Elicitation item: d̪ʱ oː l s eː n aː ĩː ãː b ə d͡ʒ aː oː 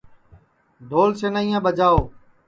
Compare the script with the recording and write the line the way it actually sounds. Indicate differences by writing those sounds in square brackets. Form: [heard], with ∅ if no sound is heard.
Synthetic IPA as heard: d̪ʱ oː l s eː n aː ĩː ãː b ə d͡ʒ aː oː